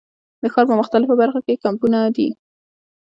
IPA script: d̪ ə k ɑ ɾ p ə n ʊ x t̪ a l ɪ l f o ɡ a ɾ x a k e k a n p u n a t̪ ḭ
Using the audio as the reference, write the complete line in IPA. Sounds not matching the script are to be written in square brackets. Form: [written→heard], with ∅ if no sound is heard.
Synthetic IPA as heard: d̪ ə [k→x] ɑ ɾ p ə [n→m] ʊ x t̪ a l ɪ [l→∅] f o [ɡ→b] a ɾ x a k e k a [n→m] p u n a [t̪→d̪] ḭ